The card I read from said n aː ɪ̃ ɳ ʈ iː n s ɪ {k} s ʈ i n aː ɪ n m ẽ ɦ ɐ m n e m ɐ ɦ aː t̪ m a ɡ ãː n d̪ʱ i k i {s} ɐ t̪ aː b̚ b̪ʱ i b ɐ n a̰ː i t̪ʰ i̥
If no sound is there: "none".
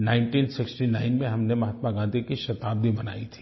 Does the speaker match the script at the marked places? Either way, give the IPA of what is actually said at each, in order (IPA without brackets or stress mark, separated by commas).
k, ʃ